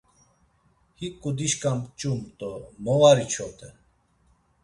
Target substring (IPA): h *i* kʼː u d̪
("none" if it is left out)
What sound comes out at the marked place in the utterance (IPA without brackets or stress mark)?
i